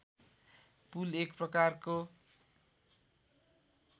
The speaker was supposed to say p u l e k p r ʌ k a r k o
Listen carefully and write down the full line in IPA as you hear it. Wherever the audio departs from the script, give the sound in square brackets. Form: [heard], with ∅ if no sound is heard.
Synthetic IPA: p u l e k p r ʌ k a r k o